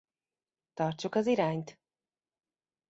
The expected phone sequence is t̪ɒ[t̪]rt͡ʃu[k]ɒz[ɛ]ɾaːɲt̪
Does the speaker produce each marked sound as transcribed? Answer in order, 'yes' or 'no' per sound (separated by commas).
no, yes, no